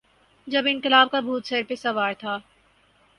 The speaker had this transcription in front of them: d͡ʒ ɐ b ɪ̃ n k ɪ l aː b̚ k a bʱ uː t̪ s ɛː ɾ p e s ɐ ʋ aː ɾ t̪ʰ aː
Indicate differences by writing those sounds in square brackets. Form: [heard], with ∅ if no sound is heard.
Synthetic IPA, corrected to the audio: d͡ʒ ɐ b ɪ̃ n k ɪ l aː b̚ k a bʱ uː t̪ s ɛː ɾ p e s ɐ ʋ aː ɾ t̪ʰ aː